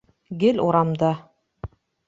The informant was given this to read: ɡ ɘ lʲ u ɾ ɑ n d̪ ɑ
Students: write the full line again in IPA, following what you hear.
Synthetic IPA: ɡ ɘ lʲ u ɾ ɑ m d̪ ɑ